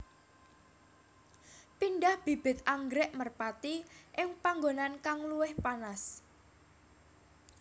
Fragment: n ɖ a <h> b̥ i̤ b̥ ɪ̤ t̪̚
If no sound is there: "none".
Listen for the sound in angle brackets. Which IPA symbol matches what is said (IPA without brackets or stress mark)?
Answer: h